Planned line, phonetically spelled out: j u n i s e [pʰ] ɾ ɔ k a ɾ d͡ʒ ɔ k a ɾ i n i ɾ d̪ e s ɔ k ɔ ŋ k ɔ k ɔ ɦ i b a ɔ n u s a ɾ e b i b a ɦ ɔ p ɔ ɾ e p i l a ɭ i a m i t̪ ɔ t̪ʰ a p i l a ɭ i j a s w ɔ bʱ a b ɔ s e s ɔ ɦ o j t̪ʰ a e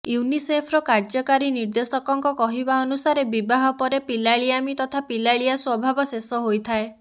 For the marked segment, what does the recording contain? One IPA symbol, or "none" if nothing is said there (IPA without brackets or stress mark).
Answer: pʰ